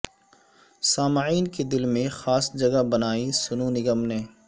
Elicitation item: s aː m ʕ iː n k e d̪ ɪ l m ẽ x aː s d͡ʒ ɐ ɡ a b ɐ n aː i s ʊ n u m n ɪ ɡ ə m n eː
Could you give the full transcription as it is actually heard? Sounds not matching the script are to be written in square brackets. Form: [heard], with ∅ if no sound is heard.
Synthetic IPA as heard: s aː m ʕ iː n k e d̪ ɪ l m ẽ x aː s d͡ʒ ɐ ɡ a b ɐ n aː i s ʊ n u [∅] n ɪ ɡ ə m n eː